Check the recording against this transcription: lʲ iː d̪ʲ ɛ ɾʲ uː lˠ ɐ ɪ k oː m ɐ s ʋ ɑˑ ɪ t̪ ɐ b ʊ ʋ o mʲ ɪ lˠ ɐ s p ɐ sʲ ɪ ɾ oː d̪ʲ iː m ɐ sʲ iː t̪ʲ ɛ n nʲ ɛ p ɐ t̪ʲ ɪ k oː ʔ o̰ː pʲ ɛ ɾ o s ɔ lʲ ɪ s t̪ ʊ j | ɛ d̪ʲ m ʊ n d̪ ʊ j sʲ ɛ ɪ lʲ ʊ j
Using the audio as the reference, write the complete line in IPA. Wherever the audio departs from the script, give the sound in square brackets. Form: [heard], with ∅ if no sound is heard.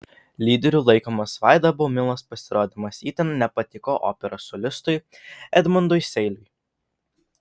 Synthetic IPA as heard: lʲ iː d̪ʲ ɛ ɾʲ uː lˠ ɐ ɪ k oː m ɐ s ʋ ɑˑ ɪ [d̪] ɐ b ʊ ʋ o mʲ ɪ lˠ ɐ s p ɐ sʲ ɪ ɾ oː d̪ʲ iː m ɐ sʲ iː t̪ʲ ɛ n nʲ ɛ p ɐ t̪ʲ ɪ k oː ʔ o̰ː pʲ ɛ ɾ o s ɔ lʲ ɪ s t̪ ʊ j | ɛ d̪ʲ m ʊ n d̪ ʊ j sʲ ɛ ɪ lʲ ʊ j

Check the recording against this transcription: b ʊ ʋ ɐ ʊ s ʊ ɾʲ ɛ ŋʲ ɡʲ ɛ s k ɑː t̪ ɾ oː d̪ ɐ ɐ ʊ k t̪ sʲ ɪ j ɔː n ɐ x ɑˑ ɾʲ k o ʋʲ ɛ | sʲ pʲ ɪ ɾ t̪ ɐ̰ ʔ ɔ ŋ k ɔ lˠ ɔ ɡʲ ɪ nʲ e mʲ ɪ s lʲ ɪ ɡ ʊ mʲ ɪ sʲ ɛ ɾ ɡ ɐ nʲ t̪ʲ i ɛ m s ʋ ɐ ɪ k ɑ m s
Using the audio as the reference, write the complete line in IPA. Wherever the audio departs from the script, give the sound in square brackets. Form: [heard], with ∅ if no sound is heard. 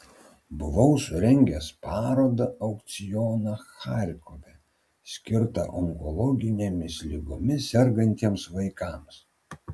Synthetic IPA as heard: b ʊ ʋ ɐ ʊ s ʊ ɾʲ ɛ ŋʲ ɡʲ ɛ s [p] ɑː [∅] ɾ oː d̪ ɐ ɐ ʊ k t̪ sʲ ɪ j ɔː n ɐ x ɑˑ ɾʲ k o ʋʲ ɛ | sʲ [kʲ] ɪ ɾ t̪ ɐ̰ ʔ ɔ ŋ k ɔ lˠ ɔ ɡʲ ɪ nʲ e mʲ ɪ s lʲ ɪ ɡ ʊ mʲ ɪ sʲ ɛ ɾ ɡ ɐ nʲ t̪ʲ i ɛ m s ʋ ɐ ɪ k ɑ m s

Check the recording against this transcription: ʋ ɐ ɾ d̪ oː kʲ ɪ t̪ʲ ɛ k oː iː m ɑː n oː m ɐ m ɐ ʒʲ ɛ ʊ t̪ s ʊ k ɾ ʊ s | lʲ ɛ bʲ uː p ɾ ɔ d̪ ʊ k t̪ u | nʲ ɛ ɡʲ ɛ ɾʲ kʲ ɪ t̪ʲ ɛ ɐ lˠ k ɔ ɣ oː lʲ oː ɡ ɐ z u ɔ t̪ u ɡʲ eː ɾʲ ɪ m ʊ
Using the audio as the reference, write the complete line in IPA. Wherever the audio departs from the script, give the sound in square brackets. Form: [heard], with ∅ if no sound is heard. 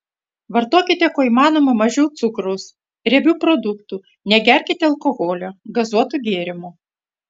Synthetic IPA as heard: ʋ ɐ ɾ [t̪] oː kʲ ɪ t̪ʲ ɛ k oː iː m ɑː n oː m ɐ m ɐ ʒʲ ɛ ʊ t̪ s ʊ k ɾ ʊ s | [ɾʲ] ɛ bʲ uː p ɾ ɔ d̪ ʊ k t̪ u | nʲ ɛ ɡʲ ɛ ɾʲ kʲ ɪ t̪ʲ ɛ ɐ lˠ k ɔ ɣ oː lʲ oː ɡ ɐ z u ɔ t̪ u ɡʲ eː ɾʲ ɪ m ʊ

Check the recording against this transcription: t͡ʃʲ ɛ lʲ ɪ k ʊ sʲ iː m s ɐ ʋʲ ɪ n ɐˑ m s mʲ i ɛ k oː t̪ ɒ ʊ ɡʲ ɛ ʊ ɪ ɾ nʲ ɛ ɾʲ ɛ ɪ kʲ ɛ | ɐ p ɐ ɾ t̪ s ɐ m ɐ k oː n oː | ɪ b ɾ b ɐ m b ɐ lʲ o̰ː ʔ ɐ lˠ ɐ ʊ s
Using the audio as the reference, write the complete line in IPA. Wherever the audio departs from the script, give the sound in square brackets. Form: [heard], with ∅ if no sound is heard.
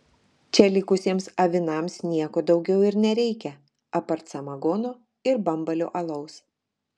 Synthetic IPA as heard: t͡ʃʲ ɛ lʲ ɪ k ʊ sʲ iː m s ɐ ʋʲ ɪ n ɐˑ m s [nʲ] i ɛ k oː [d̪] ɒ ʊ ɡʲ ɛ ʊ ɪ ɾ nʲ ɛ ɾʲ ɛ ɪ kʲ ɛ | ɐ p ɐ ɾ t̪ s ɐ m ɐ [ɡ] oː n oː | ɪ [∅] ɾ b ɐ m b ɐ lʲ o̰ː ʔ ɐ lˠ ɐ ʊ s

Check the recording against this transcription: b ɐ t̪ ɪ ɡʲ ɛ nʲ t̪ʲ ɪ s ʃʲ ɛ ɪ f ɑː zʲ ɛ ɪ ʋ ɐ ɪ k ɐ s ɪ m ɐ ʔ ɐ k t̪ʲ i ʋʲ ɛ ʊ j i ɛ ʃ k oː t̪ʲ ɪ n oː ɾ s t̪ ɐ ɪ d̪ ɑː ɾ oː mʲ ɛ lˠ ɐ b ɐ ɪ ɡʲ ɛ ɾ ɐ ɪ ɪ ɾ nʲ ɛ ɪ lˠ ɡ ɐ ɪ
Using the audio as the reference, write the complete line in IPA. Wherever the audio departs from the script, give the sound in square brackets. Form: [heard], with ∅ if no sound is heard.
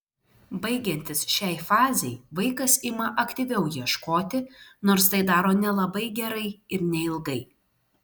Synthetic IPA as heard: b ɐ [∅] ɪ ɡʲ ɛ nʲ t̪ʲ ɪ s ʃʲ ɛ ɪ f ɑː zʲ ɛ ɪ ʋ ɐ ɪ k ɐ s ɪ m ɐ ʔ ɐ k t̪ʲ i ʋʲ ɛ ʊ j i ɛ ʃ k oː t̪ʲ ɪ n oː ɾ s t̪ ɐ ɪ d̪ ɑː ɾ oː [nʲ] ɛ lˠ ɐ b ɐ ɪ ɡʲ ɛ ɾ ɐ ɪ ɪ ɾ nʲ ɛ ɪ lˠ ɡ ɐ ɪ

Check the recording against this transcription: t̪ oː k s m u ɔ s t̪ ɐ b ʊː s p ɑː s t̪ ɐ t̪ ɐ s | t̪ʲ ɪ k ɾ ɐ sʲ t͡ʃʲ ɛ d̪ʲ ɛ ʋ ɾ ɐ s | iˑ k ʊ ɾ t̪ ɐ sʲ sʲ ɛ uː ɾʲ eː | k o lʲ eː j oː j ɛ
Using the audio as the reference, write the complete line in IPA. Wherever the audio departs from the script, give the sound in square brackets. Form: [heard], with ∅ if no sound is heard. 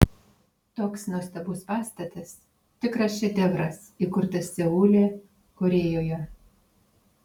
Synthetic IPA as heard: t̪ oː k s [n] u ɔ s t̪ ɐ b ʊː s p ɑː s t̪ ɐ t̪ ɐ s | t̪ʲ ɪ k ɾ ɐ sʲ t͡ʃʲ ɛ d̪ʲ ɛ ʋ ɾ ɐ s | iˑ k ʊ ɾ t̪ ɐ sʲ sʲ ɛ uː [lʲ] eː | k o [ɾʲ] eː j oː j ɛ

